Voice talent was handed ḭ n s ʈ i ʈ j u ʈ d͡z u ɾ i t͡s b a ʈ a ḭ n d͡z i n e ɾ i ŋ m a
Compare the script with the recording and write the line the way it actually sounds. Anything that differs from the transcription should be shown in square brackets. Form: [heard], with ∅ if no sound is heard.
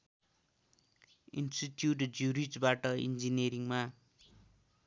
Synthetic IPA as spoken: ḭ n s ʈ i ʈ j u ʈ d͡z u ɾ i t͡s b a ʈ [ʌ] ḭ n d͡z i n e ɾ i ŋ m a